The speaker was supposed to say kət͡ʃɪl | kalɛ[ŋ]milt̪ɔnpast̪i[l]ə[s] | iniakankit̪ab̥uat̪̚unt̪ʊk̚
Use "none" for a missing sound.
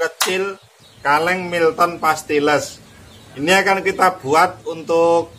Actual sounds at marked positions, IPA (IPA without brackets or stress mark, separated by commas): ŋ, l, s